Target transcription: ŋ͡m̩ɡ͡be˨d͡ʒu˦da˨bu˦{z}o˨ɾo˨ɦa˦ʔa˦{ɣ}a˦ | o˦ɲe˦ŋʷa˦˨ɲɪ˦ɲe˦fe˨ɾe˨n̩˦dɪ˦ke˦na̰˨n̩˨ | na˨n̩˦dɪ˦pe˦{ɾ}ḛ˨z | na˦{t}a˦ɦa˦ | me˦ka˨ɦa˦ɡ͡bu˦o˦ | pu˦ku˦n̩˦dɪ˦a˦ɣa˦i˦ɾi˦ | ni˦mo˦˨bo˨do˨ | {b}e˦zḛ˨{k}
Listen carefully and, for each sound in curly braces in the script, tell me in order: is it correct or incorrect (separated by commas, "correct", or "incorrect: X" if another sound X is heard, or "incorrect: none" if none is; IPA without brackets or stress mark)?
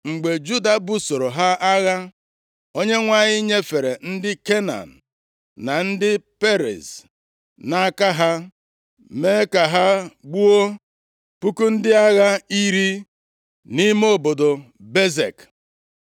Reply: incorrect: s, correct, correct, incorrect: k, correct, correct